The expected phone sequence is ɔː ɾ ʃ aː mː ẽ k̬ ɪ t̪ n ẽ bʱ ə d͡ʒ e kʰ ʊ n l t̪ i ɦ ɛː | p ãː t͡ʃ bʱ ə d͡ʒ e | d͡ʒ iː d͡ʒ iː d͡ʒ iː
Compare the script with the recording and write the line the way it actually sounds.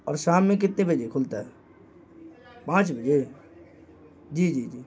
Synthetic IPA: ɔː ɾ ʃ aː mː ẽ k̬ ɪ t̪ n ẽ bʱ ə d͡ʒ e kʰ ʊ l t̪ a ɦ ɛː | p ãː t͡ʃ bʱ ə d͡ʒ e | d͡ʒ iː d͡ʒ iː d͡ʒ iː